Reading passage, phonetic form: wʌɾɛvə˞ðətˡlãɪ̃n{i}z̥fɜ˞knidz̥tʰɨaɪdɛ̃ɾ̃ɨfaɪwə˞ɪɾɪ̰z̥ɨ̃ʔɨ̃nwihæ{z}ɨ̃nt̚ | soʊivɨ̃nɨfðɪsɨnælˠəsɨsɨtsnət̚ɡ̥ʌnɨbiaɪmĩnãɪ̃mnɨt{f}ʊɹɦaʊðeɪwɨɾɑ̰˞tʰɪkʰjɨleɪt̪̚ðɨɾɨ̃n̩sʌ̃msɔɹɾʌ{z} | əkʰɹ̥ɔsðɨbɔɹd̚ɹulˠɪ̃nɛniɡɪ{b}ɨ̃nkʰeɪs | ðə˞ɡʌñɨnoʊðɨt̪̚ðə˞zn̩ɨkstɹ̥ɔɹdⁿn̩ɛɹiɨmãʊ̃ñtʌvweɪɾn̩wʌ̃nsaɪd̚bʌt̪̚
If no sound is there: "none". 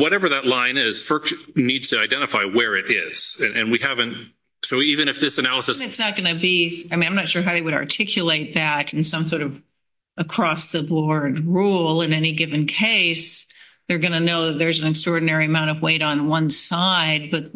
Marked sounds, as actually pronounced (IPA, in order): ɪ, v, ʃ, v, v

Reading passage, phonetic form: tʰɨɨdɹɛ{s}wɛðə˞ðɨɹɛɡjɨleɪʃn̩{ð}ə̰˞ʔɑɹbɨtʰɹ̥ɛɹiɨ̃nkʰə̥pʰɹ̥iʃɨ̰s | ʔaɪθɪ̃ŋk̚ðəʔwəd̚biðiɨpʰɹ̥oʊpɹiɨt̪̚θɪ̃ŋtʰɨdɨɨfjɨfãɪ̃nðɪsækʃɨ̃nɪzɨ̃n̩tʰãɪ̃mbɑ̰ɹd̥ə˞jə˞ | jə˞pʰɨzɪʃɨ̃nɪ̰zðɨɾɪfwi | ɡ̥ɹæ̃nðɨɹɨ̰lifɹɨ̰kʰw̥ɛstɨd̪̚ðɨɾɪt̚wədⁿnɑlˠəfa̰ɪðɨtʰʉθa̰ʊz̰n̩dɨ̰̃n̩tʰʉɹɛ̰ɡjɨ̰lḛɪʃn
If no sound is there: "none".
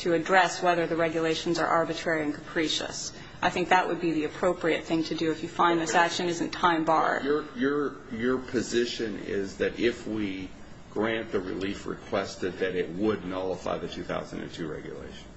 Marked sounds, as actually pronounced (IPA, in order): s, z

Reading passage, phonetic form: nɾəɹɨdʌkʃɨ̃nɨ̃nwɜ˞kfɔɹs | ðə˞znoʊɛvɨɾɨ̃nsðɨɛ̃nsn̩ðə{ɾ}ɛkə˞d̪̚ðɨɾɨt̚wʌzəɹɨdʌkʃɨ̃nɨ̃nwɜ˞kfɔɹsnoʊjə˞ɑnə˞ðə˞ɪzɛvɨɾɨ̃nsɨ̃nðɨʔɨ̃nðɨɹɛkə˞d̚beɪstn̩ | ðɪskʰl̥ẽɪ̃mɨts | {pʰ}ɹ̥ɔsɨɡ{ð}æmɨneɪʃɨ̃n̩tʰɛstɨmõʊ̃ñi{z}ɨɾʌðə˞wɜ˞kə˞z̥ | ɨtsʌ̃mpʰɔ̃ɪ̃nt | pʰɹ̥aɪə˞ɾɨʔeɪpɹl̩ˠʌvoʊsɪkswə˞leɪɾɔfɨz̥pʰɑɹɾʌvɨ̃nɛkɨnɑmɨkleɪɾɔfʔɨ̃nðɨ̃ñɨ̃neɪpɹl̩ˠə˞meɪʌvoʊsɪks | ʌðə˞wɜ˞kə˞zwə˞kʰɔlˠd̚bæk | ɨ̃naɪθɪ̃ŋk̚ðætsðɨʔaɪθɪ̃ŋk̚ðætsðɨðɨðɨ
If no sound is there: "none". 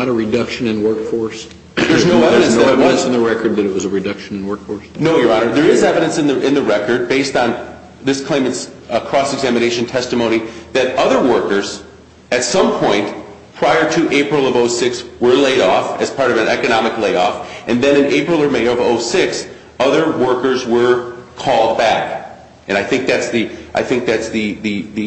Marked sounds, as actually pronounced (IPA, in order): ɹ, kʰ, z, ð

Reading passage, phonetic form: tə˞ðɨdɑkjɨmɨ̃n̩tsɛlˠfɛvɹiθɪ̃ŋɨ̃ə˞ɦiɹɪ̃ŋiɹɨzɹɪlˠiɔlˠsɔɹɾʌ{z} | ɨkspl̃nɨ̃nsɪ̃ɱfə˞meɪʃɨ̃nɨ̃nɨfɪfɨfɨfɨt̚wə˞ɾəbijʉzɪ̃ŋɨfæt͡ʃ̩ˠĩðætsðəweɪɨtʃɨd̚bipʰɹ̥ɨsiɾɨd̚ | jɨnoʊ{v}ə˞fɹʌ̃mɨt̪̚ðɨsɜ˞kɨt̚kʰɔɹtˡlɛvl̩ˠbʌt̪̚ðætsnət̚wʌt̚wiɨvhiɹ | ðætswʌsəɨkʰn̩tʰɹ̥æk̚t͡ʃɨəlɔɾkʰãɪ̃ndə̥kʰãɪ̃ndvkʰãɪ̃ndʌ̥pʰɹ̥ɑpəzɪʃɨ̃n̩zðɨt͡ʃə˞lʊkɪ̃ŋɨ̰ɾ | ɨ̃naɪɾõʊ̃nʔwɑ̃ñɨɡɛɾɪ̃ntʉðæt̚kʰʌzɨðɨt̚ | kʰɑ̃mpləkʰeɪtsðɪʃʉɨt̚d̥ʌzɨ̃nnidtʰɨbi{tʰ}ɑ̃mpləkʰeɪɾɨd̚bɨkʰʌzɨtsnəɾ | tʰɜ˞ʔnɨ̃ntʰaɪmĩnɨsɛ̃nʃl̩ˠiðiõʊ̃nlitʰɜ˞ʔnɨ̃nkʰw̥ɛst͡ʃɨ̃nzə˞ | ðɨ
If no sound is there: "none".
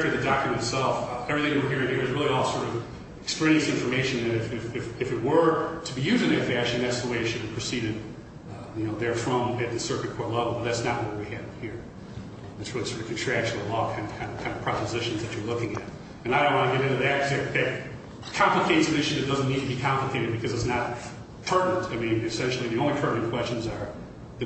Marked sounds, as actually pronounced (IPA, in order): v, ð, kʰ

